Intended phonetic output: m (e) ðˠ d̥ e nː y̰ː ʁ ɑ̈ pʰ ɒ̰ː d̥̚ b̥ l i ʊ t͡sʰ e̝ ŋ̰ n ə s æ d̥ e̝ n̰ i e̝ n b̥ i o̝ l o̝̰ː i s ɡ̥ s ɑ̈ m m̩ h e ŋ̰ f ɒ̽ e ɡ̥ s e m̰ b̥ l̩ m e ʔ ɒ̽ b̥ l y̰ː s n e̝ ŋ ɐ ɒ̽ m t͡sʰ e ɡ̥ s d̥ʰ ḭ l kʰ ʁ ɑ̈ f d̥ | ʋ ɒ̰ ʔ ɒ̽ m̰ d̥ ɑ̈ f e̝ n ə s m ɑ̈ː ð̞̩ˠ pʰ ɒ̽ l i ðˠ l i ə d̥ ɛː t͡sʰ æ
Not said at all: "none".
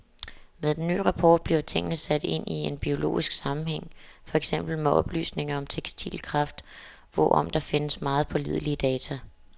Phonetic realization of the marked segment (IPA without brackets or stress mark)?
e